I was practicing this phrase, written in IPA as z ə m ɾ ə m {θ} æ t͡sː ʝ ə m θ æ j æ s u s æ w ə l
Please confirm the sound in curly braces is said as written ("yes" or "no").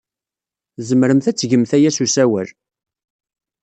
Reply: yes